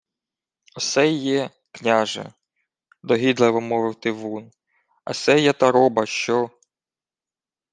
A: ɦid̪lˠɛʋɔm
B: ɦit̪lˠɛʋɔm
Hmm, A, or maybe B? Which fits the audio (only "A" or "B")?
A